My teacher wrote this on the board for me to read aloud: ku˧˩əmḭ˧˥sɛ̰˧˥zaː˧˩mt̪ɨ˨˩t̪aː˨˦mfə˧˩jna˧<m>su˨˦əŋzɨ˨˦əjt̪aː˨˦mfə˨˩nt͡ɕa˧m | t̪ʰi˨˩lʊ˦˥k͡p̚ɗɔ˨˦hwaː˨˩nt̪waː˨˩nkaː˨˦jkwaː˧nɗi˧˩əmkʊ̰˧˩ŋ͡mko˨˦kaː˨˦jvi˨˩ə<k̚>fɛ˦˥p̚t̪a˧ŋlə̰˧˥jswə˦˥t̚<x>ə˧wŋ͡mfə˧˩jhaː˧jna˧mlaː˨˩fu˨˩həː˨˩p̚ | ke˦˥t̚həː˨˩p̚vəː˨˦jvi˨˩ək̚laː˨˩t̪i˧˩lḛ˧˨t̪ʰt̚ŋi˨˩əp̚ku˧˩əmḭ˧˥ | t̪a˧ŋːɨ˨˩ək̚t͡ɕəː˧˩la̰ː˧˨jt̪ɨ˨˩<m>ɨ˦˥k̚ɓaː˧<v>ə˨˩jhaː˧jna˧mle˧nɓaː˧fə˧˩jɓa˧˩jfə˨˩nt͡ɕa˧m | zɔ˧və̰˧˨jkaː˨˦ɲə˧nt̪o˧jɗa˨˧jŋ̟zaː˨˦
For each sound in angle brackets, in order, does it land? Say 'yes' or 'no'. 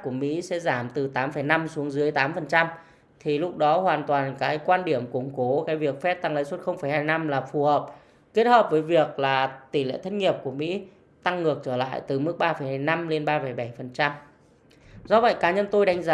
yes, yes, yes, yes, no

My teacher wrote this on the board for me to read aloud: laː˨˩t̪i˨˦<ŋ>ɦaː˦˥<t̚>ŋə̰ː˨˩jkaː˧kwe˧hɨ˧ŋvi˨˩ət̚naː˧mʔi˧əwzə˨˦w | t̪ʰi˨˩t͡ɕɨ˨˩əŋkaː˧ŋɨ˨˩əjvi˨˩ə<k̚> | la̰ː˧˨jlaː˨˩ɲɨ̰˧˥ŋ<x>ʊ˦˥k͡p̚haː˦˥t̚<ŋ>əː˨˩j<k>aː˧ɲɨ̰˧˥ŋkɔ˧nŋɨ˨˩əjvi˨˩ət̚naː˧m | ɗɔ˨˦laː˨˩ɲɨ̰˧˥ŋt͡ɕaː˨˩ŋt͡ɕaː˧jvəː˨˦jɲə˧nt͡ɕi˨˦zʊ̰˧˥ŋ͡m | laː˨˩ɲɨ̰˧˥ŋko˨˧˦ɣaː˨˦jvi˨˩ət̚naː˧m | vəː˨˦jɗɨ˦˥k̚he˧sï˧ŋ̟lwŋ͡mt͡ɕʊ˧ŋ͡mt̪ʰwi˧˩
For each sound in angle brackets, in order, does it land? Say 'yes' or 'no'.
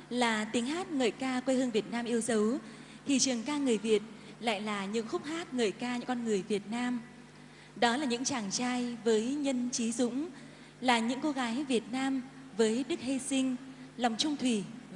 yes, yes, no, yes, yes, yes

